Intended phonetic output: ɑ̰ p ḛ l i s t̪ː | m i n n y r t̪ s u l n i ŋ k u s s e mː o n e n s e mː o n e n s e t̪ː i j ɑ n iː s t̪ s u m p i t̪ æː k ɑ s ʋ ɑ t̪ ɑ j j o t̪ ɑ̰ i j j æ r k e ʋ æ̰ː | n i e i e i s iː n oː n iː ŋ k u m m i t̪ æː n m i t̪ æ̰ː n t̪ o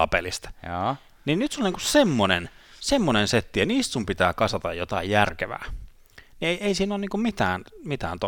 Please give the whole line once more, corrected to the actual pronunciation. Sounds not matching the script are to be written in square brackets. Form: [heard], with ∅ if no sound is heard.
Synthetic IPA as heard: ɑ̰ p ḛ l i s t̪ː | [n] i n n y [∅] t̪ s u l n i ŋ k u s s e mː o n e n s e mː o n e n s e t̪ː i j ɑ n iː s t̪ s u m p i t̪ æː k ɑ s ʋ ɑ t̪ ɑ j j o t̪ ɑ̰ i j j æ r k e ʋ æ̰ː | n i e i e i s iː n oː n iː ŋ k u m m i t̪ æː n m i t̪ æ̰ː n t̪ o